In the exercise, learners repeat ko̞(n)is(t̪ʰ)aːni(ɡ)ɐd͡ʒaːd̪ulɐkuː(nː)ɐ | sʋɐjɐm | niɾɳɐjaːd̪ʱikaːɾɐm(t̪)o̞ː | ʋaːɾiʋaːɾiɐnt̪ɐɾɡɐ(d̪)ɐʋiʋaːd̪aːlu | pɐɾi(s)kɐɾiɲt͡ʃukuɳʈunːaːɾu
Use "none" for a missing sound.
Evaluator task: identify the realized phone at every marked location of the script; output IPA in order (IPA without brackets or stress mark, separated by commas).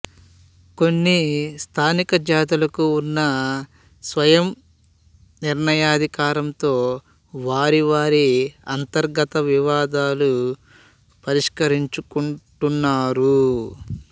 nː, t̪ʰ, k, nː, t̪, t̪, ʂ